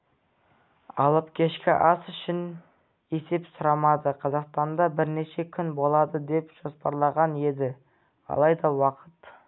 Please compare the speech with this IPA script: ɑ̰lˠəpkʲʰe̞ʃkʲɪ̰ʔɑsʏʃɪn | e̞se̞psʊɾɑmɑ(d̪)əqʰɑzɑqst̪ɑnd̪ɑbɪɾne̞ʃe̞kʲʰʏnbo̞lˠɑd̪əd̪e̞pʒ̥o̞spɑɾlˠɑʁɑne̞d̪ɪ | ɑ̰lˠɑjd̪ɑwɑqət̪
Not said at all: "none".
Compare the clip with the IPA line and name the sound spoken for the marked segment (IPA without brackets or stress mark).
d̪